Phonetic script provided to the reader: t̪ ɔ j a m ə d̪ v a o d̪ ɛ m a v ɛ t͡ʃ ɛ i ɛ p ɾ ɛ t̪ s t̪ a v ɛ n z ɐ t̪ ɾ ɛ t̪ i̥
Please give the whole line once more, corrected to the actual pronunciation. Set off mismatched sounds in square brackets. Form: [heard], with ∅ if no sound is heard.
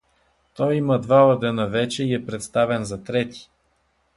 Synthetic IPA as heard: t̪ ɔ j [i] m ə d̪ v a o d̪ ɛ [n] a v ɛ t͡ʃ ɛ i ɛ p ɾ ɛ t̪ s t̪ a v ɛ n z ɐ t̪ ɾ ɛ t̪ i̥